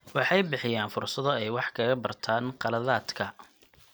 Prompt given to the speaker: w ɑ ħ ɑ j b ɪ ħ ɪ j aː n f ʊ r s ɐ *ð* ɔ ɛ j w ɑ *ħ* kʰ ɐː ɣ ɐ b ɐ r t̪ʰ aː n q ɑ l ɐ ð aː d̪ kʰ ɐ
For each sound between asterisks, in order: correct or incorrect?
correct, correct

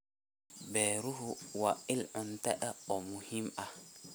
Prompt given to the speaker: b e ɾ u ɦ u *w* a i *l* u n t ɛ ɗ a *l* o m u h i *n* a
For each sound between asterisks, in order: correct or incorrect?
correct, correct, incorrect, incorrect

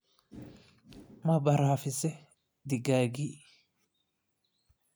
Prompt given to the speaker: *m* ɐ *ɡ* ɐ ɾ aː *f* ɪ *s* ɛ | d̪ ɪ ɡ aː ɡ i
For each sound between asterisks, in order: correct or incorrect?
correct, incorrect, correct, correct

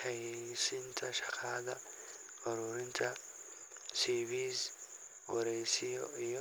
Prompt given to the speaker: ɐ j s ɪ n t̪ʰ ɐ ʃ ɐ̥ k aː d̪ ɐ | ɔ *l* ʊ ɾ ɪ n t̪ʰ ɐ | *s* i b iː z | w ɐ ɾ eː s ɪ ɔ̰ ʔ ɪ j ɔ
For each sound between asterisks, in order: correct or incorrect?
incorrect, correct

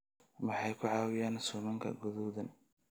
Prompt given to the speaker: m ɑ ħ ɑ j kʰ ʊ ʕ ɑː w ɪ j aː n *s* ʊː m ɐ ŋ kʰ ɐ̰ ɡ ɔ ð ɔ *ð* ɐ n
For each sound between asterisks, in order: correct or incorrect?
correct, correct

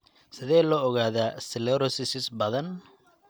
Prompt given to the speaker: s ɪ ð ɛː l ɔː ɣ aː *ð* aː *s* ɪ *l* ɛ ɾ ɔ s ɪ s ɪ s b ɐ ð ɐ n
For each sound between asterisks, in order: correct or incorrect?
correct, correct, correct

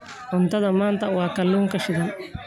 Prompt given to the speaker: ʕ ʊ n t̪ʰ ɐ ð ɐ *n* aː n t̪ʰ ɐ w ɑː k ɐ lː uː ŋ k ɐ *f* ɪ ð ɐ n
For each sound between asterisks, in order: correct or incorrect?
incorrect, incorrect

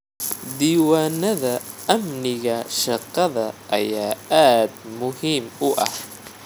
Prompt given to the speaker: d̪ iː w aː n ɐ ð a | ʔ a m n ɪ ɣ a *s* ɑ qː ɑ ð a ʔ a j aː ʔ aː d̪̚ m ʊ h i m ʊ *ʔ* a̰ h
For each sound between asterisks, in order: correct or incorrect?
incorrect, correct

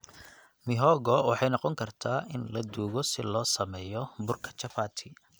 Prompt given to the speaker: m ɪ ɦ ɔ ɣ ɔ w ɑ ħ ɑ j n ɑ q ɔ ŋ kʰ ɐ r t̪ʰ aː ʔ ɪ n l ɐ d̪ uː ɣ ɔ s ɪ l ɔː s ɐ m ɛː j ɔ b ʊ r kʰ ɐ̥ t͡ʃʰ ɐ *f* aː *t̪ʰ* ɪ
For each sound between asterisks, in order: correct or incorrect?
correct, correct

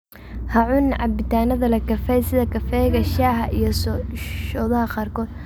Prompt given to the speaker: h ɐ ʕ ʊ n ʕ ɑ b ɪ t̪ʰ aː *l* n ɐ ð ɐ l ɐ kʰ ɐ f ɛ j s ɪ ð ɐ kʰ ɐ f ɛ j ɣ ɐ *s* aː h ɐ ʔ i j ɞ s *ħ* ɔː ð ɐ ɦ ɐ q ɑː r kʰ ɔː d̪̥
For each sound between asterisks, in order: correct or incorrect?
incorrect, incorrect, incorrect

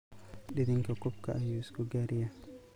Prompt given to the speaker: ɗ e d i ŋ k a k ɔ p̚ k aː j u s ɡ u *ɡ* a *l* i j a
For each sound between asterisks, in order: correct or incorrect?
correct, incorrect

